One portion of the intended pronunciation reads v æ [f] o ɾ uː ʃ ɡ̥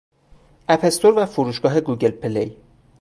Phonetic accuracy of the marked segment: correct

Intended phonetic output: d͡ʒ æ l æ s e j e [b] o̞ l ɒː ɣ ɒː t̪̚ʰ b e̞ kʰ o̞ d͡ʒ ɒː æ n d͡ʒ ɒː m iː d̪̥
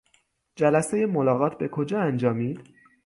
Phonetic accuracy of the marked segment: incorrect: m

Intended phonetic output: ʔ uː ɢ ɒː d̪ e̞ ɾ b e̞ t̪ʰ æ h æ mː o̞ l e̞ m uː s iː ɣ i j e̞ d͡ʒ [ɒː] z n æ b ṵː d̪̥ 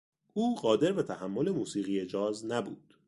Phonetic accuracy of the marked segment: correct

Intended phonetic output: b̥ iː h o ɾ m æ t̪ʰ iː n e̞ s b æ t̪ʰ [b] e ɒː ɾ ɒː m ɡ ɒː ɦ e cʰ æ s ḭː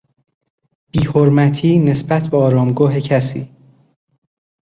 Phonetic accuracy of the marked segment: correct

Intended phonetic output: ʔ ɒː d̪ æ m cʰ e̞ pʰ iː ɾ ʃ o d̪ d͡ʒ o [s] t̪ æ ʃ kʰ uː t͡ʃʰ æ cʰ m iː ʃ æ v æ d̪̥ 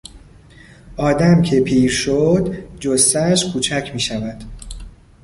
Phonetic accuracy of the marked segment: correct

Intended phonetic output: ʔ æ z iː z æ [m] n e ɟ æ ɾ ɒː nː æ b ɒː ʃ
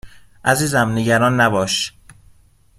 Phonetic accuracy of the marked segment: correct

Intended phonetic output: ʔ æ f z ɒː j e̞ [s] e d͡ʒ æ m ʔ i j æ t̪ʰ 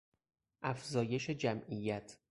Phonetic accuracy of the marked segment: incorrect: ʃ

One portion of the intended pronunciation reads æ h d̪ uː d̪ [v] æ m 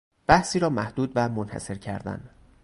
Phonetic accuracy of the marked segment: correct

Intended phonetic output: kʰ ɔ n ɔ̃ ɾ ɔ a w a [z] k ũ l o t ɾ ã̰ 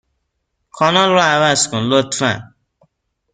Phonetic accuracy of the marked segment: incorrect: s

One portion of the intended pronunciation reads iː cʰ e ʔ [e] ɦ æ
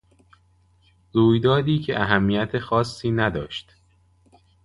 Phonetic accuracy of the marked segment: incorrect: æ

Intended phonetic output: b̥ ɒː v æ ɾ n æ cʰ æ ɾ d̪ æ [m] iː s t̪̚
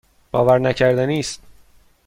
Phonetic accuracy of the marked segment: incorrect: n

